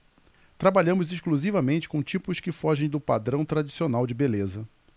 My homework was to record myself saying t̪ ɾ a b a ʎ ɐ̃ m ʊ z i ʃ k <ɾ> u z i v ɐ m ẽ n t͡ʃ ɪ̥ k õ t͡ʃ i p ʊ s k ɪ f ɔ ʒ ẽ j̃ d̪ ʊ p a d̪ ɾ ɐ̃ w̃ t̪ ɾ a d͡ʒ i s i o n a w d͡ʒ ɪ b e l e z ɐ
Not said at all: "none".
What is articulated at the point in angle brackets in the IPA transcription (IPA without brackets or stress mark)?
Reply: l